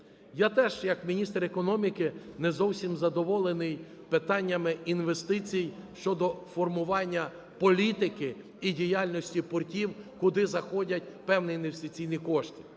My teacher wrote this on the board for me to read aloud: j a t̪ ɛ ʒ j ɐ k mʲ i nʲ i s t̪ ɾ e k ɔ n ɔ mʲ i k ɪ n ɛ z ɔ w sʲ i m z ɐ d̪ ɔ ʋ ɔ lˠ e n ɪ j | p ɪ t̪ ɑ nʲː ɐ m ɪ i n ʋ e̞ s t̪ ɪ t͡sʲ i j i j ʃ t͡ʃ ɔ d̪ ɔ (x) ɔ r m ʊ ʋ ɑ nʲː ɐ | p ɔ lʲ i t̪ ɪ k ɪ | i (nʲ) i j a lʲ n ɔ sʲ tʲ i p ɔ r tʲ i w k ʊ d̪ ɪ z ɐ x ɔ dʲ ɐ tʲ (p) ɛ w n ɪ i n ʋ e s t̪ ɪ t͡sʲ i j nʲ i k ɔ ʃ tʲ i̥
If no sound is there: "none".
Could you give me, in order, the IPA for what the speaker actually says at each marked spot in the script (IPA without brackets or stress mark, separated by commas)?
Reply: f, dʲ, p